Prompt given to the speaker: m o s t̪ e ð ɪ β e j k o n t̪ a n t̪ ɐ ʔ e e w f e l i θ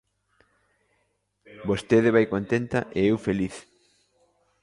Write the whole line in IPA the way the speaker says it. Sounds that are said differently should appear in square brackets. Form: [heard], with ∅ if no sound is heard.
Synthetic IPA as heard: [b] o s t̪ e ð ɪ β [a] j k o n t̪ [e] n t̪ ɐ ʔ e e w f e l i θ

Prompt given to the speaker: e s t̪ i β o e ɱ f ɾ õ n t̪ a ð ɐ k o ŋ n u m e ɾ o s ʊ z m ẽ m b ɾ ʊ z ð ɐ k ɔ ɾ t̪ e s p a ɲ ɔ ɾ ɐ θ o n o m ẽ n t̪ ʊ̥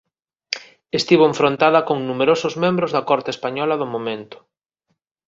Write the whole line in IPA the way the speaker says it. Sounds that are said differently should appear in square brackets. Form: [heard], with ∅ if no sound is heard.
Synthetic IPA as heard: e s t̪ i β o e ɱ f ɾ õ n t̪ a ð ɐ k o ŋ n u m e ɾ o s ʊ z m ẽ m b ɾ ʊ z ð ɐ k ɔ ɾ t̪ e s p a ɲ ɔ [l] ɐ [ð] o [m] o m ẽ n t̪ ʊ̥

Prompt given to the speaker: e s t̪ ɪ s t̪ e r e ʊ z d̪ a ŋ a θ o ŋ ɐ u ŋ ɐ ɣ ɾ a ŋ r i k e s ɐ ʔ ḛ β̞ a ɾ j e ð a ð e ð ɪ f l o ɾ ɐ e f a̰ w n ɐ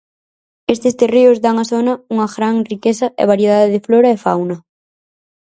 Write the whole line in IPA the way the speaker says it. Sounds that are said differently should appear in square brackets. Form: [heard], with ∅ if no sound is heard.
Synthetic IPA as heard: e s t̪ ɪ s t̪ e r e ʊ z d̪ a ŋ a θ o [n] ɐ u ŋ ɐ ɣ ɾ a ŋ r i k e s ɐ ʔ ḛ β̞ a ɾ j e ð a ð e ð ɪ f l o ɾ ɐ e f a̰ w n ɐ

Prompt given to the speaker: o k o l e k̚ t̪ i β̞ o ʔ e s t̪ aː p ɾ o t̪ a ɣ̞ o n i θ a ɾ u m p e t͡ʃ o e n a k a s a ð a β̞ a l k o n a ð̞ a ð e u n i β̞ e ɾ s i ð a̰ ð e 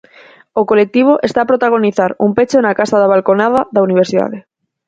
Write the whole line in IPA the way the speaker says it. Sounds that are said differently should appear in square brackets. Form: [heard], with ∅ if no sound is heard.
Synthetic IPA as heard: o k o l e k̚ t̪ i β̞ o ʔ e s t̪ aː p ɾ o t̪ a ɣ̞ o n i θ a ɾ u m p e t͡ʃ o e n a k a s a ð a β̞ a l k o n a ð̞ a ð [a] u n i β̞ e ɾ s i ð a̰ ð e

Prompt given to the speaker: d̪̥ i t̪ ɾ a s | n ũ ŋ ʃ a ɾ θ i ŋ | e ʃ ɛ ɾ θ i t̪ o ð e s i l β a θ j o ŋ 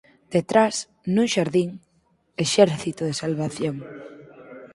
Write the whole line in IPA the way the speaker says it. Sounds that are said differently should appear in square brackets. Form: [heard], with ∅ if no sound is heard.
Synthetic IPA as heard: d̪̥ [e] t̪ ɾ a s | n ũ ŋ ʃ a ɾ [ð] i ŋ | e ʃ ɛ ɾ θ i t̪ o ð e s [a] l β a θ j o ŋ

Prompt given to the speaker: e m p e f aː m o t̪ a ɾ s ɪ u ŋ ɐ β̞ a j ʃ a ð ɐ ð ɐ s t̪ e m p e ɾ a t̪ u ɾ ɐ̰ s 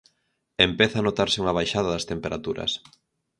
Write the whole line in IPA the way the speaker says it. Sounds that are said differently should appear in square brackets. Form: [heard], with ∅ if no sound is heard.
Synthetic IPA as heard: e m p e [θ] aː [n] o t̪ a ɾ s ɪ u ŋ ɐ β̞ a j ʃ a ð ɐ ð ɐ s t̪ e m p e ɾ a t̪ u ɾ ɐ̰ s

